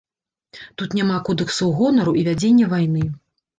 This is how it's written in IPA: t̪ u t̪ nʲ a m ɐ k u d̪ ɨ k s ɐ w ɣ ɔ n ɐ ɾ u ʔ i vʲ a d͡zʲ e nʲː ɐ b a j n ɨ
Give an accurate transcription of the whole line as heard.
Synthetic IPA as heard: t̪ u t̪ nʲ a m a k ɔ d̪ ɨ k s ɐ w ɣ ɔ n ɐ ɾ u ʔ i vʲ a d͡zʲ e nʲː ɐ v a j n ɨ